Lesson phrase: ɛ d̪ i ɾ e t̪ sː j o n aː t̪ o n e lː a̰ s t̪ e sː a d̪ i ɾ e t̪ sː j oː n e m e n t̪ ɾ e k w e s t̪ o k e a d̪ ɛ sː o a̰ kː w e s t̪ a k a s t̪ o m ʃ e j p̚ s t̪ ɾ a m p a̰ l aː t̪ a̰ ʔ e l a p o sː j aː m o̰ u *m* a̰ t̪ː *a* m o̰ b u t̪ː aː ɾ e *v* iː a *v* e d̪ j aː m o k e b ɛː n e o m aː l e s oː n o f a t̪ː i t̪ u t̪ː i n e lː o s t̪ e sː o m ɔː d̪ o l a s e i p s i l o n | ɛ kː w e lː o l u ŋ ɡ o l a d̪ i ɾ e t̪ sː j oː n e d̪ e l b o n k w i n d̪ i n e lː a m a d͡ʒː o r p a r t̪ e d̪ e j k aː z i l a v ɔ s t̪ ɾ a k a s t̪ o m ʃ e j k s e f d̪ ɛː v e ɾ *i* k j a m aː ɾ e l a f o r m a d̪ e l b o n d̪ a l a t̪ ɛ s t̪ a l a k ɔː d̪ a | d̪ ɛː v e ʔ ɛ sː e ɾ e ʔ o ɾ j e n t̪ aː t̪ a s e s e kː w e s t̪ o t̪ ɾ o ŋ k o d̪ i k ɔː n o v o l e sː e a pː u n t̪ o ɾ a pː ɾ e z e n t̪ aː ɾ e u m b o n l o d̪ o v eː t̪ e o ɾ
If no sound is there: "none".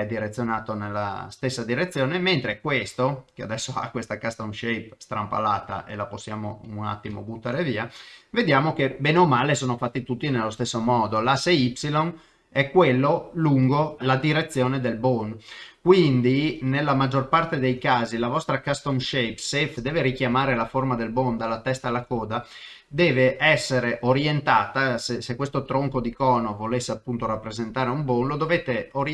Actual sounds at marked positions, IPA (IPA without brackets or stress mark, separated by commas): n, i, v, v, i